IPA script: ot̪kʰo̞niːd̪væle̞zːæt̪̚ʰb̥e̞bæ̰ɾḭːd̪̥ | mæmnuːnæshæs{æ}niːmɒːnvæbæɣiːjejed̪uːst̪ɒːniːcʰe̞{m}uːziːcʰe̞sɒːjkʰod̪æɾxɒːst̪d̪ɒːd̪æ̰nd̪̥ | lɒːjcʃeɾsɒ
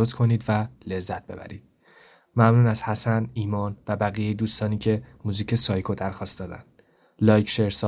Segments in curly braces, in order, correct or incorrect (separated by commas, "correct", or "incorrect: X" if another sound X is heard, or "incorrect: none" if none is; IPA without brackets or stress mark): correct, correct